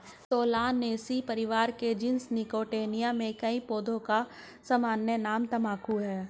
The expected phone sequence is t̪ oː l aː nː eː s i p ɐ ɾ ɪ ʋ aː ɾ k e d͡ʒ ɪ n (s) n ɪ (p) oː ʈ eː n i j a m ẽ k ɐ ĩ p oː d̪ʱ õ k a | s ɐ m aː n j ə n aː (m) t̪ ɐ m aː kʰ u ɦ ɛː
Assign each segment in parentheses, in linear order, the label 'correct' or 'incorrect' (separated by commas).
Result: correct, incorrect, correct